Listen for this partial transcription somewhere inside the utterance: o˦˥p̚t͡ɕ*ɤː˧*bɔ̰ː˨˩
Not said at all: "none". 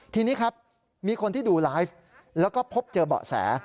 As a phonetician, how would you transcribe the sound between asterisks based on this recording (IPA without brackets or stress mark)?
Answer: ɤː˧